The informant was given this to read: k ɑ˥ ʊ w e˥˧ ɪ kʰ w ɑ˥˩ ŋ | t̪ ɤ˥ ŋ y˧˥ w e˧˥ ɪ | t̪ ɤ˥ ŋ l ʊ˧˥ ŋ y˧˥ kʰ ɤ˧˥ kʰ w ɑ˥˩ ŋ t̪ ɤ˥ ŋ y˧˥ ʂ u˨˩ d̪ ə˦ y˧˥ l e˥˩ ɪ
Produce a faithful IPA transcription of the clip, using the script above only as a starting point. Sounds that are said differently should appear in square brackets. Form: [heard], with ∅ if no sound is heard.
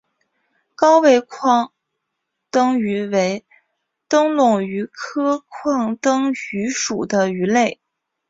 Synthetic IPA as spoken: k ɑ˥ ʊ w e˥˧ ɪ kʰ w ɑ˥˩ ŋ | t̪ ɤ˥ ŋ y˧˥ w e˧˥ ɪ | t̪ ɤ˥ ŋ l [ʊ˥˩] ŋ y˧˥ kʰ [ɤ˥] kʰ w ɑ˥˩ ŋ t̪ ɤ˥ ŋ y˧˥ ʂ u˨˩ d̪ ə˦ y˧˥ l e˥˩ ɪ